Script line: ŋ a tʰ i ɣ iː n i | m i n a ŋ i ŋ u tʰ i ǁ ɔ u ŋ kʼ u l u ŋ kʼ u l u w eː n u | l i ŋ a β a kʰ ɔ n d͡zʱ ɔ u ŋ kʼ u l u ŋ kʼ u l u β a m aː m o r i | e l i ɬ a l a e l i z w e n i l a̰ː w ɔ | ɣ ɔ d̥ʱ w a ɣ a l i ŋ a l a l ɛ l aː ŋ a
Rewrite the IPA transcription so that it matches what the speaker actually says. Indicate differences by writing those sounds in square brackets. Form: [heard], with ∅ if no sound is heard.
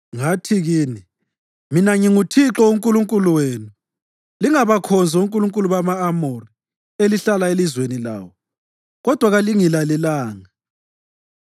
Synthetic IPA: ŋ a tʰ i ɣ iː n i | m i n a ŋ i ŋ u tʰ i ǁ ɔ u ŋ kʼ u l u ŋ kʼ u l u w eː n u | l i ŋ a β a kʰ ɔ n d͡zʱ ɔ u ŋ kʼ u l u ŋ kʼ u l u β a m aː m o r i | e l i ɬ a l a e l i z w e n i l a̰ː w ɔ | ɣ ɔ d̥ʱ w a ɣ a l i ŋ [i] l a l ɛ l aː ŋ a